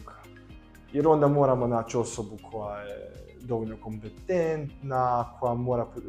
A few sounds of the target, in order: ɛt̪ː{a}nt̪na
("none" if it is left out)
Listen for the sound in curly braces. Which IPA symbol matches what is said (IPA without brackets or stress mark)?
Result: ɛ